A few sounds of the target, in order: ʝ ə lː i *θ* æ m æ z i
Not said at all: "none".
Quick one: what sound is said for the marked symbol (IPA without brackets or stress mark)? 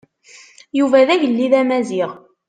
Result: ð